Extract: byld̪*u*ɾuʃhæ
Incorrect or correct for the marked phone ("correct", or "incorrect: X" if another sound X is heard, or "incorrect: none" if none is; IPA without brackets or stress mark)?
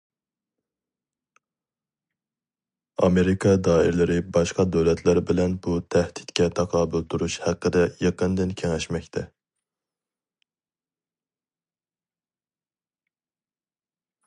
correct